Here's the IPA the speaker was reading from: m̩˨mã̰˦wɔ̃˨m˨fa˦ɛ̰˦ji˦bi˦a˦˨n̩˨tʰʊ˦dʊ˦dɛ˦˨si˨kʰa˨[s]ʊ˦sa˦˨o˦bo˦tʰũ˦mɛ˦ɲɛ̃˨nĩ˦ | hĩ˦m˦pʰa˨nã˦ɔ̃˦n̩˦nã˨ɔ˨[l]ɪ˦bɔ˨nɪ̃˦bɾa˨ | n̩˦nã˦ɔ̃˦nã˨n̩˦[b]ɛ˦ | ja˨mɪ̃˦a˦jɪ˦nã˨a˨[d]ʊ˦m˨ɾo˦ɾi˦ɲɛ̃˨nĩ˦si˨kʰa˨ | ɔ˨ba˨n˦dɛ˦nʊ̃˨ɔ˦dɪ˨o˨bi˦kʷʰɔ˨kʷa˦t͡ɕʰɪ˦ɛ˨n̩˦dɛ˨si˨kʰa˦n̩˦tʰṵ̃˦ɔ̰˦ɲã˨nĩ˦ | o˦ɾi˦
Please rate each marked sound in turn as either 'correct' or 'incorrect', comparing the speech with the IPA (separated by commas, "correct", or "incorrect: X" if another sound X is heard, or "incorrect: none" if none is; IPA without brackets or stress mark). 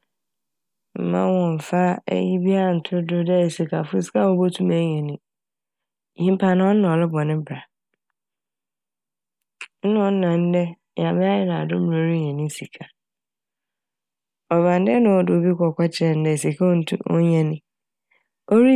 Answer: incorrect: f, correct, incorrect: d, correct